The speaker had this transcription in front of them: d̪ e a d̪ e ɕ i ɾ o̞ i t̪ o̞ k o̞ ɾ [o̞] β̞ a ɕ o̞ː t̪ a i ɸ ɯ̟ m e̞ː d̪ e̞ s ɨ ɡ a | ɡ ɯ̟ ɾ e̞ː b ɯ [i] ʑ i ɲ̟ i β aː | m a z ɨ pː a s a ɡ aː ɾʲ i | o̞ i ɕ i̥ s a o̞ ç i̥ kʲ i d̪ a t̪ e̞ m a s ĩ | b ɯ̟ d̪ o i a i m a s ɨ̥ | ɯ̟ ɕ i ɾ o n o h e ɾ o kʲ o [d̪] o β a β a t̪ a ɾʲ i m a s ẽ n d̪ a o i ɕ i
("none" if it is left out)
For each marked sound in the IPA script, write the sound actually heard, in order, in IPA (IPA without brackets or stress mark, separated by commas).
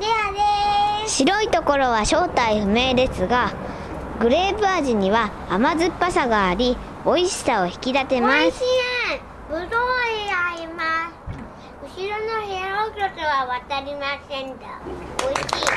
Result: o̞, a, t̪